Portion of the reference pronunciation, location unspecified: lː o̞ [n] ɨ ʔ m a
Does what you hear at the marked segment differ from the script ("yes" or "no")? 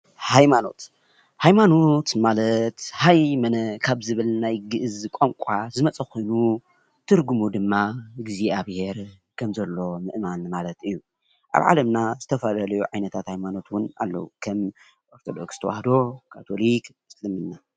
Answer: yes